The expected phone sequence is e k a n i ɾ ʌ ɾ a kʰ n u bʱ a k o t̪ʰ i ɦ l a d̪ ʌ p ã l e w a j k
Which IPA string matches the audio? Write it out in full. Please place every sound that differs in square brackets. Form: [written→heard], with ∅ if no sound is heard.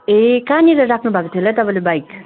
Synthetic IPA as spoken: e k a n i ɾ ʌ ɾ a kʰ n u bʱ a k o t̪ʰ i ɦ l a [d̪→t̪] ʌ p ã l e [w→b] a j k